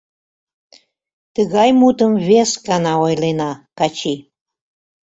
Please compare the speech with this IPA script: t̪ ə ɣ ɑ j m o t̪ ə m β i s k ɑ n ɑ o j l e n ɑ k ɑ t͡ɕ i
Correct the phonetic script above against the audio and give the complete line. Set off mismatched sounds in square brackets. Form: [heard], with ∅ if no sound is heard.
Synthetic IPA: t̪ ə ɣ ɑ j m [u] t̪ ə m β [e] s k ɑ n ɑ o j l e n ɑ k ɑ t͡ɕ i